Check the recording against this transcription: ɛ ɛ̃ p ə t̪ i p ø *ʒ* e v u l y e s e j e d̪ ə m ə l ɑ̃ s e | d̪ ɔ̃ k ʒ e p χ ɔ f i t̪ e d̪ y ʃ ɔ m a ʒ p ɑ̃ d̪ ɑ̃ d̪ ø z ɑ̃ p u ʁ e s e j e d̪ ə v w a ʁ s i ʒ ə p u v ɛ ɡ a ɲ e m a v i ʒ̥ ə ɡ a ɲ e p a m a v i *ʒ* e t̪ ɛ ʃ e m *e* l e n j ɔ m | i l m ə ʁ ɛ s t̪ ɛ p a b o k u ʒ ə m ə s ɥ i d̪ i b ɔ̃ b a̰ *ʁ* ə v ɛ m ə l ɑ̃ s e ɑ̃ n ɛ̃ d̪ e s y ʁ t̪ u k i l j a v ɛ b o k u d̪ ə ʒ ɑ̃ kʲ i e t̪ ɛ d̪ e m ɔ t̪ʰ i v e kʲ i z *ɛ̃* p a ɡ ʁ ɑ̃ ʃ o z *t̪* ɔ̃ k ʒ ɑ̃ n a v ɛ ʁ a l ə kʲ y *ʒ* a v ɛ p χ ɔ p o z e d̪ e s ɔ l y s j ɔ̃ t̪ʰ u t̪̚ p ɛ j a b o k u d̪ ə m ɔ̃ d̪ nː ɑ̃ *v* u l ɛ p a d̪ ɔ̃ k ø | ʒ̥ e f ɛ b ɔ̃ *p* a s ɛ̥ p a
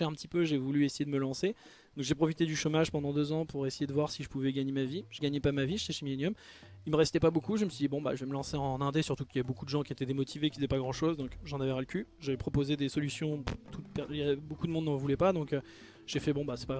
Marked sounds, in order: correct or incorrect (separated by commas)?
correct, correct, incorrect, incorrect, incorrect, incorrect, correct, correct, incorrect